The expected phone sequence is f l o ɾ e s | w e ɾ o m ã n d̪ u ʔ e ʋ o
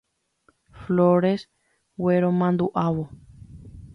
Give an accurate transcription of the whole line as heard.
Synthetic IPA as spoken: f l o ɾ e s | w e ɾ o m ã n d̪ u ʔ a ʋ o